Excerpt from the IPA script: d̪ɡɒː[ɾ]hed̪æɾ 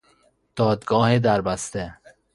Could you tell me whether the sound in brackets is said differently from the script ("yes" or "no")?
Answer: yes